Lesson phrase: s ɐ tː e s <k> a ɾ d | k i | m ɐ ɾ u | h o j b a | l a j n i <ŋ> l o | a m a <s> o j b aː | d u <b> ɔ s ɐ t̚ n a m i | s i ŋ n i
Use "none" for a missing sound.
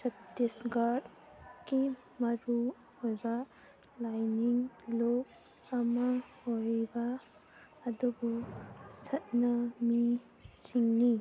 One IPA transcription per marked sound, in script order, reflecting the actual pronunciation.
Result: ɡ, ŋ, h, b

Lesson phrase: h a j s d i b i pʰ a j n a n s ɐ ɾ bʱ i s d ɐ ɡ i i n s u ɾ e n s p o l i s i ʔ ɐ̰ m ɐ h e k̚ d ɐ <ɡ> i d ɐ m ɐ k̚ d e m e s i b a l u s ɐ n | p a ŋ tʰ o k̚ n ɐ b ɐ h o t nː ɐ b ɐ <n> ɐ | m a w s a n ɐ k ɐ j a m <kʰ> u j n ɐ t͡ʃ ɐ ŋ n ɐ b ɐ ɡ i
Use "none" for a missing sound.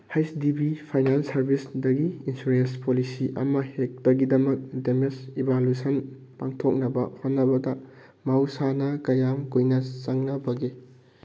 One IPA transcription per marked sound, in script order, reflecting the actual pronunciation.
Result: ɡ, d, k

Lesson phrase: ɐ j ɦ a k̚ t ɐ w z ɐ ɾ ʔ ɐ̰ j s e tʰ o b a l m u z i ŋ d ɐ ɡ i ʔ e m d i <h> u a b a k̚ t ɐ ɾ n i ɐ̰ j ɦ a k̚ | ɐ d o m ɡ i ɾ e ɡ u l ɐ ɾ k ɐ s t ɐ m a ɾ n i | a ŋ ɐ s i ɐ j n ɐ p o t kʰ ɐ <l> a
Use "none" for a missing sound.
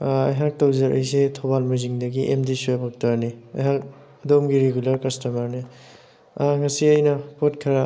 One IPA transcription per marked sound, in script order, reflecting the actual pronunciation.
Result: s, ɾ

